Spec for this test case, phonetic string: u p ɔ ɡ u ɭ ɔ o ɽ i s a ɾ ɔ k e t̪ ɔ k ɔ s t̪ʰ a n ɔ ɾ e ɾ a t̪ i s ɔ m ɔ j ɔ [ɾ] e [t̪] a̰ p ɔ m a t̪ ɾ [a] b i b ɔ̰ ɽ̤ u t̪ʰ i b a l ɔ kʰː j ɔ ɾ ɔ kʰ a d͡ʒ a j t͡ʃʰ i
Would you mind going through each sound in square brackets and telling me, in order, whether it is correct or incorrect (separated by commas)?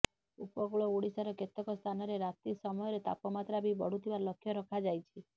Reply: correct, correct, correct